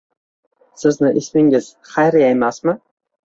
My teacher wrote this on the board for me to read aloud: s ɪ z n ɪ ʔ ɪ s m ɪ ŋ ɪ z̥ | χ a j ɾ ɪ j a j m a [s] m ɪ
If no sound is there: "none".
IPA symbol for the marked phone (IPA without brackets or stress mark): s